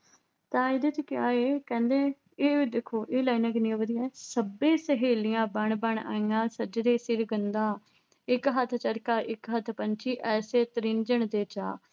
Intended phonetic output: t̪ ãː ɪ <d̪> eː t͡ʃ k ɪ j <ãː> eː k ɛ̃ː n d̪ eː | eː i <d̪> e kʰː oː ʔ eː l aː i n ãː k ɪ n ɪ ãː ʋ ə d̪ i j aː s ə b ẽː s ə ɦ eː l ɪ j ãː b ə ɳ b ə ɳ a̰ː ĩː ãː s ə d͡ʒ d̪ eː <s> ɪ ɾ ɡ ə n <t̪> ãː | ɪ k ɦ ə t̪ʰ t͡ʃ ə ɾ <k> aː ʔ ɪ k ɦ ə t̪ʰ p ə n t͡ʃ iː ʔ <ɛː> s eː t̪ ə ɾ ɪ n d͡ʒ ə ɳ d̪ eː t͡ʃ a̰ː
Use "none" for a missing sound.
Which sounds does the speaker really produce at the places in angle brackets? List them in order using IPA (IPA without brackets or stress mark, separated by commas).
d̪, aː, d̪, s, d̪, k, ɛː